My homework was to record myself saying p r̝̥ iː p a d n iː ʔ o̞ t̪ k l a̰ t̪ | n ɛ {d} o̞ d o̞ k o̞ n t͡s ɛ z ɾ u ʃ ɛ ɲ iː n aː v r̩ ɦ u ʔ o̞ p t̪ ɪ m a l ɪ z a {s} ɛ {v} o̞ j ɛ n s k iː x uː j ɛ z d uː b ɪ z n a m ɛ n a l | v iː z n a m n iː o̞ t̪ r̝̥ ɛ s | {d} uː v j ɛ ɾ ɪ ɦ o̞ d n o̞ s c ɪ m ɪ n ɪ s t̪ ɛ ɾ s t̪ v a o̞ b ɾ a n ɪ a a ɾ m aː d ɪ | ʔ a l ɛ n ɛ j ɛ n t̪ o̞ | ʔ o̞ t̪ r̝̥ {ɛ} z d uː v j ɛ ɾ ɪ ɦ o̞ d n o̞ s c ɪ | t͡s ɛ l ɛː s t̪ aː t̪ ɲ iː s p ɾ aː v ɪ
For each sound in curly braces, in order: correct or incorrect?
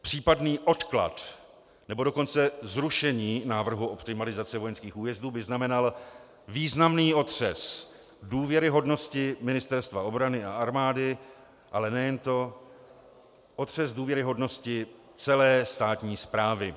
incorrect: b, incorrect: t͡s, correct, correct, correct

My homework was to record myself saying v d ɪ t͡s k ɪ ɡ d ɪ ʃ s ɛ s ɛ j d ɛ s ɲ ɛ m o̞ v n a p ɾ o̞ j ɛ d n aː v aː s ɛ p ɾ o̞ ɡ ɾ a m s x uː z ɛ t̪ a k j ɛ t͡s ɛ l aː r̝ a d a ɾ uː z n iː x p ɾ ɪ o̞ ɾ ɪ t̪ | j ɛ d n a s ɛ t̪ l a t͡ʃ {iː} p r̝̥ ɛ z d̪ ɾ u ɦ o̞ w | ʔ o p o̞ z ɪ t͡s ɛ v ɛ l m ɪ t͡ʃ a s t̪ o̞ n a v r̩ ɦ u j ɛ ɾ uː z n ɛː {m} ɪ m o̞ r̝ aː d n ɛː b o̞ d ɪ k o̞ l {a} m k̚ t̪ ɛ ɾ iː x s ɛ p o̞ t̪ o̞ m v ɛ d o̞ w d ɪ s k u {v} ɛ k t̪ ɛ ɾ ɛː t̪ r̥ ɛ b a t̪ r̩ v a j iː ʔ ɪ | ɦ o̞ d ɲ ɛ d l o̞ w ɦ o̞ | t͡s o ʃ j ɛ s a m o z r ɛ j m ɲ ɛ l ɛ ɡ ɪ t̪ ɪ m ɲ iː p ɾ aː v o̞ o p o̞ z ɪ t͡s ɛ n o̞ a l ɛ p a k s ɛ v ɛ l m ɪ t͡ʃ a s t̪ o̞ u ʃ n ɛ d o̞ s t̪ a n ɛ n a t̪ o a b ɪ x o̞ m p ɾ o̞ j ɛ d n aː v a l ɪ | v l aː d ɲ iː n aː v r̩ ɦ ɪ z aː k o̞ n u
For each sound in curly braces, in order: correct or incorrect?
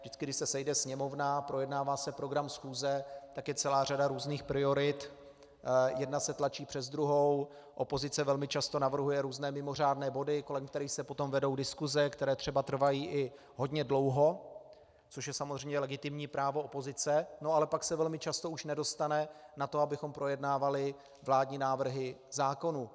correct, correct, incorrect: ɛ, incorrect: z

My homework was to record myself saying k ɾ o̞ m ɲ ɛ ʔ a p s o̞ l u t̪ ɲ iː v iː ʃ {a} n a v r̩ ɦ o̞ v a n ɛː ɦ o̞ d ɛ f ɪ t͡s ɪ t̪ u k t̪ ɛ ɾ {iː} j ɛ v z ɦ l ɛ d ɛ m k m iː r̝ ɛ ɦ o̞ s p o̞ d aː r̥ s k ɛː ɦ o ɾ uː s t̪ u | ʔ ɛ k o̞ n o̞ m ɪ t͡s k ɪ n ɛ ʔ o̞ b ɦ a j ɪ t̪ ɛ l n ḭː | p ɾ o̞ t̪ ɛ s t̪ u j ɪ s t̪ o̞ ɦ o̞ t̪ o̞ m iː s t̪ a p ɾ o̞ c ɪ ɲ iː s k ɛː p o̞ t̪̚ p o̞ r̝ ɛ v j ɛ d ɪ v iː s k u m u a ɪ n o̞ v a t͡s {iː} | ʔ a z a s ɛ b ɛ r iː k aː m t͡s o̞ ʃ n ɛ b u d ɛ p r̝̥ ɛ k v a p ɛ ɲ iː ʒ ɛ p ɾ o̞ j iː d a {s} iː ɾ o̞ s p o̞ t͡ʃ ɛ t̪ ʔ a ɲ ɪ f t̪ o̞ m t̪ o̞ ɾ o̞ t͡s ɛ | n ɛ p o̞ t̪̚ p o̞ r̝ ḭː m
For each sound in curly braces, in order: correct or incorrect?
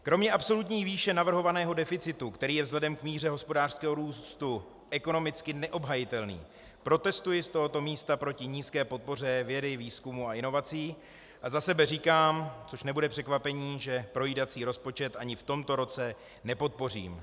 incorrect: ɛ, correct, correct, incorrect: t͡s

